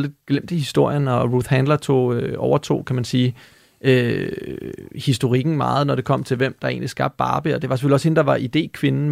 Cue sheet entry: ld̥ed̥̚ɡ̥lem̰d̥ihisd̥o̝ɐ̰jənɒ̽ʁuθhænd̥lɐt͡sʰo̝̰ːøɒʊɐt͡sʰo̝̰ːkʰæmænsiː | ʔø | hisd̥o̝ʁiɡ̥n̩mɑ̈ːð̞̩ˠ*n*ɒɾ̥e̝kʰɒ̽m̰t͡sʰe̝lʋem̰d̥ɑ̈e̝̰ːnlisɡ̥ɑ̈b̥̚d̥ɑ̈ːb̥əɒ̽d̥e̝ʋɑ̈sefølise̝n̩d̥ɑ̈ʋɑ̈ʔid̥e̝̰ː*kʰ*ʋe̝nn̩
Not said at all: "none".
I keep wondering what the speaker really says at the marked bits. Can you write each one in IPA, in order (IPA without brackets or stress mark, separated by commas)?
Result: n, kʰ